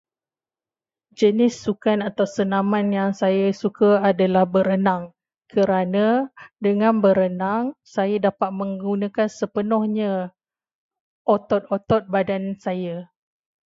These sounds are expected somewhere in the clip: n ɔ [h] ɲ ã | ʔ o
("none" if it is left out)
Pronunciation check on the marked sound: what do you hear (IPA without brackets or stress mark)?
h